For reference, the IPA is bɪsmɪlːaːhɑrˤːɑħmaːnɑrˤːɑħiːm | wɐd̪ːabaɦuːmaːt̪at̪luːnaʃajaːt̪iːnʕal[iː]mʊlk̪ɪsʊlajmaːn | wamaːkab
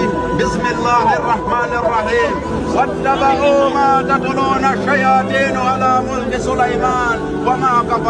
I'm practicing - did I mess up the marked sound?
yes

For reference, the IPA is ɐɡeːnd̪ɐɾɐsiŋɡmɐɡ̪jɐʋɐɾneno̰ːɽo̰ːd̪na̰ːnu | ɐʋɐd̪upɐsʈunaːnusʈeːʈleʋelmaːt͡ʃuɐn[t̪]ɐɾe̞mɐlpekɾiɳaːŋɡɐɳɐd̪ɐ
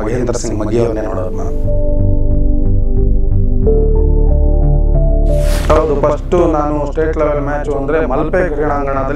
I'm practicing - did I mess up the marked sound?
yes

